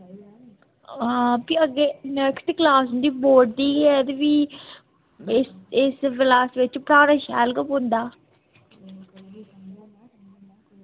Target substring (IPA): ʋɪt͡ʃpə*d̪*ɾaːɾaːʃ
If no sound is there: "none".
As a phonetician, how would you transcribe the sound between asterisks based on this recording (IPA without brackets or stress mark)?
none